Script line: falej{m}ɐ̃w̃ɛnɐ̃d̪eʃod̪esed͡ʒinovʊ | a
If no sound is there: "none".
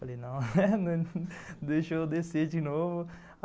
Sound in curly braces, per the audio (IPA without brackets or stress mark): n